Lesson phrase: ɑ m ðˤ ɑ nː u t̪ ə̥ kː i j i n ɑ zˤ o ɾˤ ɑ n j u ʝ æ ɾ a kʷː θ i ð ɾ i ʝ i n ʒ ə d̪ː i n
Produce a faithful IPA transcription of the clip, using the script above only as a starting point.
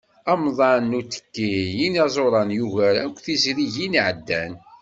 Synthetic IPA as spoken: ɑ m ðˤ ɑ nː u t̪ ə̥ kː i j i n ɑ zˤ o ɾˤ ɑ n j u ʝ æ ɾ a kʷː θ i z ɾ i ʝ i n ʕ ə d̪ː æ n